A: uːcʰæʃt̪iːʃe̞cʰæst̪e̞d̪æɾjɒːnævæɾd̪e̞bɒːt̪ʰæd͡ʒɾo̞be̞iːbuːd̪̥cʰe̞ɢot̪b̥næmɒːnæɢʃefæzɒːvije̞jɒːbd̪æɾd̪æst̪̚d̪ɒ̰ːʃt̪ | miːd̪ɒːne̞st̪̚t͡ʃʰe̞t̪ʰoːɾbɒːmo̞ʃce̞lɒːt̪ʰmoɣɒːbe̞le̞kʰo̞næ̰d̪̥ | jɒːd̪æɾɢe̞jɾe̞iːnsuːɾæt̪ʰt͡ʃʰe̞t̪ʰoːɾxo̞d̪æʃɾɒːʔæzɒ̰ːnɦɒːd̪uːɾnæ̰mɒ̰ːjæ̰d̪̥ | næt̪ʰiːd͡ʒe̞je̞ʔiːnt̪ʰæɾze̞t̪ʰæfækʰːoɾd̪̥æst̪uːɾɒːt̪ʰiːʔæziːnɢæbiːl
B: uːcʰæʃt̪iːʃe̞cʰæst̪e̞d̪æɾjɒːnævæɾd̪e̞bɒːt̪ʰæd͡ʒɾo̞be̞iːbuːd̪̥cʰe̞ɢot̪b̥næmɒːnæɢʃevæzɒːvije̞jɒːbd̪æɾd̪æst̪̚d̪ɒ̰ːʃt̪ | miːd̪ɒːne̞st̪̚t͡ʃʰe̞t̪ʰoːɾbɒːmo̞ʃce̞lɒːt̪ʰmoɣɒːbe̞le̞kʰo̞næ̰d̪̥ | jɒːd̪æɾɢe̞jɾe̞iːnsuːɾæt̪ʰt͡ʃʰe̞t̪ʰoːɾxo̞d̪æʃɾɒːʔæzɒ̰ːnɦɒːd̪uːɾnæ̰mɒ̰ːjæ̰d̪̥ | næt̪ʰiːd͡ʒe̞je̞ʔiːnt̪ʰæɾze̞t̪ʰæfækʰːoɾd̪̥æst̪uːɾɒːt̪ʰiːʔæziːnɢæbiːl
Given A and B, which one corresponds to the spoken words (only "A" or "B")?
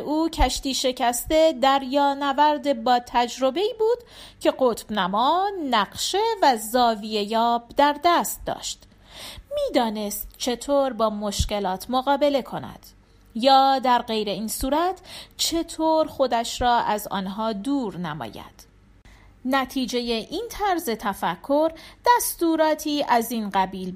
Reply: B